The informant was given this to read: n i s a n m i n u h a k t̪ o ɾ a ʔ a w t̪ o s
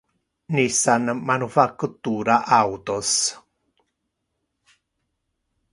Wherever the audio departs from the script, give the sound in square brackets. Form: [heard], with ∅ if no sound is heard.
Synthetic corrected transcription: n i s a n m [a] n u [f] a k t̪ [u] ɾ a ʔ a w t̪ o s